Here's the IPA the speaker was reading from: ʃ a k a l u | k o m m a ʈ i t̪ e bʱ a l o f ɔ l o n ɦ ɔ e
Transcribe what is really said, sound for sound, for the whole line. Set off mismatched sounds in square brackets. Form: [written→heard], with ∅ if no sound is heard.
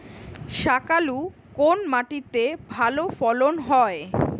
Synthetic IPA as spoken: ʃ a k a l u | k o [m→n] m a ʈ i t̪ e bʱ a l o f ɔ l o n ɦ ɔ e